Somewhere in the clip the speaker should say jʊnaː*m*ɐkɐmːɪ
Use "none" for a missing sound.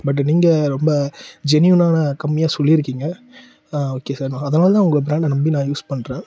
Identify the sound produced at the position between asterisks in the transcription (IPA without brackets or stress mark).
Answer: n